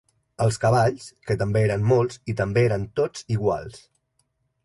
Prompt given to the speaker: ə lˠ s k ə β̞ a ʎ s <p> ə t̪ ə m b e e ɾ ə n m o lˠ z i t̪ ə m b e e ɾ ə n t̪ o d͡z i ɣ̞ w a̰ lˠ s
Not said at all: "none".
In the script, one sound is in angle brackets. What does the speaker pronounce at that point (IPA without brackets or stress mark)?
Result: k